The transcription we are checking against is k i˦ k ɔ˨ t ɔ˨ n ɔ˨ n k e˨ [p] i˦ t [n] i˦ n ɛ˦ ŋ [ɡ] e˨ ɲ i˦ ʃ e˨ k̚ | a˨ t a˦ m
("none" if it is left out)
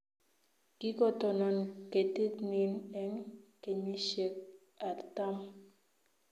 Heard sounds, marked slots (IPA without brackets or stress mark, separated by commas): t, n, k